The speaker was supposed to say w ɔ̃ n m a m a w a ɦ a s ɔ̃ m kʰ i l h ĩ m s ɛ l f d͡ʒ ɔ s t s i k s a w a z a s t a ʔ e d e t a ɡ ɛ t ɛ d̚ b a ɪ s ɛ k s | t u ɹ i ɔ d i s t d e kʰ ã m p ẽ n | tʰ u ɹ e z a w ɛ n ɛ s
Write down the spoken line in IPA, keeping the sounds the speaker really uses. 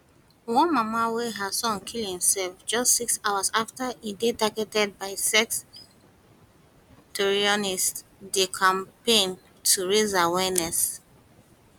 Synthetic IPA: w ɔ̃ n m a m a w e ɦ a s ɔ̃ n kʰ i l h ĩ m s ɛ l f d͡ʒ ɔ s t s i k s a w a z a f t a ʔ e d e t a ɡ ɛ t ɛ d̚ b a ɪ s ɛ k s | t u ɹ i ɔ n i s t d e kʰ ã m p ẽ n | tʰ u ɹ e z a w ɛ n ɛ s